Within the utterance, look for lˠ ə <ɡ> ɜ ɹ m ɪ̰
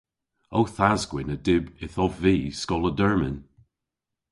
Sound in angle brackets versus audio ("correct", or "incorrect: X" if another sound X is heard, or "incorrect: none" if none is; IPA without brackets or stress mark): incorrect: d